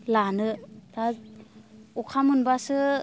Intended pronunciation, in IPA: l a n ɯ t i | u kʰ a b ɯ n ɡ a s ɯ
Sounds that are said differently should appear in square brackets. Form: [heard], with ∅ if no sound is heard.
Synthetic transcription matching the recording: l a n ɯ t [a] | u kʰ a [m] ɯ n [b] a s ɯ